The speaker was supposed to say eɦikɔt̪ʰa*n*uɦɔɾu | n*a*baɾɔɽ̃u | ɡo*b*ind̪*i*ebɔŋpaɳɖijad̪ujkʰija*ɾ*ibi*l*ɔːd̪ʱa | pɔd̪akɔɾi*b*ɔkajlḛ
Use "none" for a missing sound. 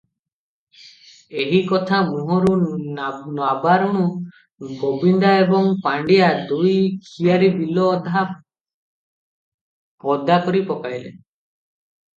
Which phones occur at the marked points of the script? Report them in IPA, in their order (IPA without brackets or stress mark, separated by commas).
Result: m, a, b, a, ɾ, l, p